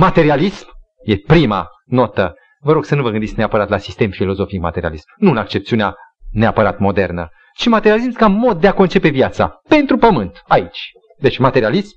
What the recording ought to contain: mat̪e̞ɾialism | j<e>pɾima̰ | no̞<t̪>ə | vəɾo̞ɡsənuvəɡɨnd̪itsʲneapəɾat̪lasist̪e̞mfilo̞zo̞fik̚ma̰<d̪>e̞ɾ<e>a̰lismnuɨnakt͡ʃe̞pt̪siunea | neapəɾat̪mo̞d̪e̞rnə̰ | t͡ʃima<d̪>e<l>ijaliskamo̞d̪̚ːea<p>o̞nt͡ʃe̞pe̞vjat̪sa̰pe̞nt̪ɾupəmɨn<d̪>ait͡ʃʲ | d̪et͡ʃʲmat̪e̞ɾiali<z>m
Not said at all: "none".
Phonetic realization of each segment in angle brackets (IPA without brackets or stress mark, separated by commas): e, t̪, t̪, i, t̪, ɾ, k, t̪, s